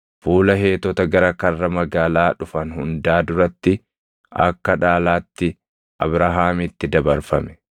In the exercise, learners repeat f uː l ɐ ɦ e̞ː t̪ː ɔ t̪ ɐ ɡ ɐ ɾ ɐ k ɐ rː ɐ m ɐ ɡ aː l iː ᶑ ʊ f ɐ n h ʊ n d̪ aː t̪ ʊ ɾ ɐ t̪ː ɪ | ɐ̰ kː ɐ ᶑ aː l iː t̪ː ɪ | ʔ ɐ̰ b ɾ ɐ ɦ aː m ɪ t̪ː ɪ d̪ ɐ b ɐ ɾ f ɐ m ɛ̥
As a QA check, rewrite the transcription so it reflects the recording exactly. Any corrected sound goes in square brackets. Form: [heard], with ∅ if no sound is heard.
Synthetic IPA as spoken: f uː l ɐ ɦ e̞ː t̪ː ɔ t̪ ɐ ɡ ɐ ɾ ɐ k ɐ rː ɐ m ɐ ɡ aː l [aː] ᶑ ʊ f ɐ n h ʊ n d̪ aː [d̪] ʊ ɾ ɐ t̪ː ɪ | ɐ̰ kː ɐ ᶑ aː l [aː] t̪ː ɪ | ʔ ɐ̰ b ɾ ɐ ɦ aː m ɪ t̪ː ɪ d̪ ɐ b ɐ ɾ f ɐ m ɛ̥